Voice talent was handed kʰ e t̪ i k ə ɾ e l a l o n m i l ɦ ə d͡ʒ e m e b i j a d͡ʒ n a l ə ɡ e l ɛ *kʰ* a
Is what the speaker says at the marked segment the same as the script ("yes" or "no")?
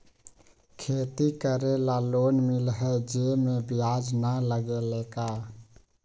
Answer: no